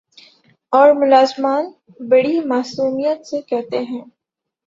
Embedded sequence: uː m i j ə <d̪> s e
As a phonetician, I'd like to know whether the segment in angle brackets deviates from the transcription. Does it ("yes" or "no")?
yes